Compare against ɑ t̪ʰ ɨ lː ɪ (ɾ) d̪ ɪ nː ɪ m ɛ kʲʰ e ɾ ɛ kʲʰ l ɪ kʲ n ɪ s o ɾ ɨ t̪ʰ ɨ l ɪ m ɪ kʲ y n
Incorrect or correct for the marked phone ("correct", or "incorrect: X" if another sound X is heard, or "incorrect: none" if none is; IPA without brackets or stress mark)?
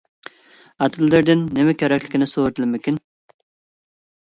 correct